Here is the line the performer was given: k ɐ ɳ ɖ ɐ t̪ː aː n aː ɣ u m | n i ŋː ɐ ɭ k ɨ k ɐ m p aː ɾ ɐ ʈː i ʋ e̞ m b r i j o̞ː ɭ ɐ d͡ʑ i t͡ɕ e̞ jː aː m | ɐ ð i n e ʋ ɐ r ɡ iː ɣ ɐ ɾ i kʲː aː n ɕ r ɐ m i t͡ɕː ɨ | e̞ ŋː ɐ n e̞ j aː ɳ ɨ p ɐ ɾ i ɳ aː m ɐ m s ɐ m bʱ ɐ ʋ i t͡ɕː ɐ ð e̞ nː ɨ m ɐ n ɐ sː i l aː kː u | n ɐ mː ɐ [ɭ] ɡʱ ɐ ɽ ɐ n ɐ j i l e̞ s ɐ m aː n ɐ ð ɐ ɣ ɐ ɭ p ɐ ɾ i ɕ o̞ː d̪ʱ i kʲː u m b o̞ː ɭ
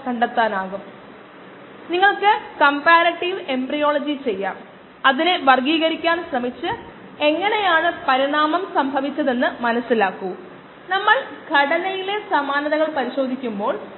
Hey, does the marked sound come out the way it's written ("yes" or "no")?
yes